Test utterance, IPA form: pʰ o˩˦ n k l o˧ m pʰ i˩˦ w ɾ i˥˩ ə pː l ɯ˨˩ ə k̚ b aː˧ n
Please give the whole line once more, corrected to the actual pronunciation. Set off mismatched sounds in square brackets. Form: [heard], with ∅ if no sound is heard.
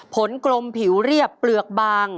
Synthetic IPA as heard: pʰ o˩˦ n k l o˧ m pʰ i˩˦ w ɾ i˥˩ ə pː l ɯ˨˩ ə k̚ b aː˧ [ŋ]